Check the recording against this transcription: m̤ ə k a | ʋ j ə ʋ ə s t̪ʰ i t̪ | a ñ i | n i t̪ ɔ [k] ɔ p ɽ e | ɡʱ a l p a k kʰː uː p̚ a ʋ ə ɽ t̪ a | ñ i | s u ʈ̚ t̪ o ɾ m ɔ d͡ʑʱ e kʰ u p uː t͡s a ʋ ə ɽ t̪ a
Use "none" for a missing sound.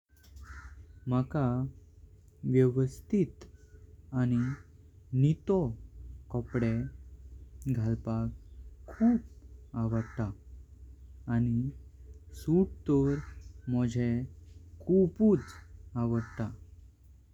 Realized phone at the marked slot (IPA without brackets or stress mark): k